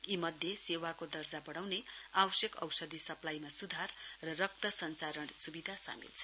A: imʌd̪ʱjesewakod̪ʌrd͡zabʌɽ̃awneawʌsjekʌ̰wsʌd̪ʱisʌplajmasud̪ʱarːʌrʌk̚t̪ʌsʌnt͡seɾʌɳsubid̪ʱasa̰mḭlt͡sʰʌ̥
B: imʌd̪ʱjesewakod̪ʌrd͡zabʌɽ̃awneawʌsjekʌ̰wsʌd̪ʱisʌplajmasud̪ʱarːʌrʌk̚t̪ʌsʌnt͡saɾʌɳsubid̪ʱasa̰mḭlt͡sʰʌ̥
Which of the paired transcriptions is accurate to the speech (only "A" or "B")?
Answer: B